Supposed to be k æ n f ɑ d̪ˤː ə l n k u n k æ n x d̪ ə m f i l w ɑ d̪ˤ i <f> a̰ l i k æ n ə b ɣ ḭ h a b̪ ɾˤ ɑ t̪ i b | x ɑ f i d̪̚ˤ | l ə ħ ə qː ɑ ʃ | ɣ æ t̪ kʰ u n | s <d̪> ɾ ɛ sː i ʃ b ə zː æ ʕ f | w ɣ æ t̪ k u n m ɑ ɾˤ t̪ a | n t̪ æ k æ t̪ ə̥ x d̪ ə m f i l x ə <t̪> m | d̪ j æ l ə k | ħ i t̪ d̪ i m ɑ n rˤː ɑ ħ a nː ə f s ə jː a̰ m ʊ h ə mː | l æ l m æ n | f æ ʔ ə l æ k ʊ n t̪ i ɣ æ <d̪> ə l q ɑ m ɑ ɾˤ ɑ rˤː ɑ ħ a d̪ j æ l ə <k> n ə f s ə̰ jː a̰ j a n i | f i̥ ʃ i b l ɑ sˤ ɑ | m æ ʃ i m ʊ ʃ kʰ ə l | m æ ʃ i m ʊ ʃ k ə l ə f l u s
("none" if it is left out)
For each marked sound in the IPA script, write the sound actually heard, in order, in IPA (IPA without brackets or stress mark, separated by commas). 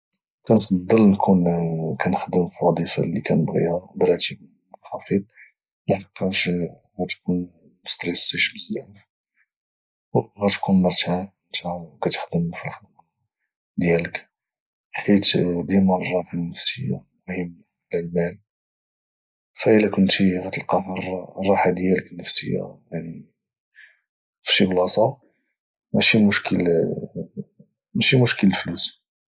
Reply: f, t̪, d̪, t̪, k